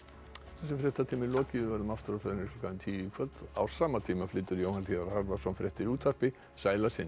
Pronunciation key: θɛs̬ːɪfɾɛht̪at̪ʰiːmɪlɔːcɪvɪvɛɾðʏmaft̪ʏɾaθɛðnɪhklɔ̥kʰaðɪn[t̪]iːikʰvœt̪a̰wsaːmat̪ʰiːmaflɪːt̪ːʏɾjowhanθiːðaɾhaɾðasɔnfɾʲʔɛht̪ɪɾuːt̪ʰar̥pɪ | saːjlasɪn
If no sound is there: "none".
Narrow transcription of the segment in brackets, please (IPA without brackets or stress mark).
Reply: t̪ʰ